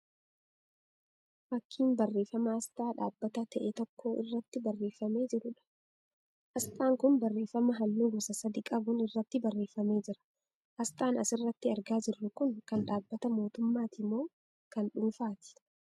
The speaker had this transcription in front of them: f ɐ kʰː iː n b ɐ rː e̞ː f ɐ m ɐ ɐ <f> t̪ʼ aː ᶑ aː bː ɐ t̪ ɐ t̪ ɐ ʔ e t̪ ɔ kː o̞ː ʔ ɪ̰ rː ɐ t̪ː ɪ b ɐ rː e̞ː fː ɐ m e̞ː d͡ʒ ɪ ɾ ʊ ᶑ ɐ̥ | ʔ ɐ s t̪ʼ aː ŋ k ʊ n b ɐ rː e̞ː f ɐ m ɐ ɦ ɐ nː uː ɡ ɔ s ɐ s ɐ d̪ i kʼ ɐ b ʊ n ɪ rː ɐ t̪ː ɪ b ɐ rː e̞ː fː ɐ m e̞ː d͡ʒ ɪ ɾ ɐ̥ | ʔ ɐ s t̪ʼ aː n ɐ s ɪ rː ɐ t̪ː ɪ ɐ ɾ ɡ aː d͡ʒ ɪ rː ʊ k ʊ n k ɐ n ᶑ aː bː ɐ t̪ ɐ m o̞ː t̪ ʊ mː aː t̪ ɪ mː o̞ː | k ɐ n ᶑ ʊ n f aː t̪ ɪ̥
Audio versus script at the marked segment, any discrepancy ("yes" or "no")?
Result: yes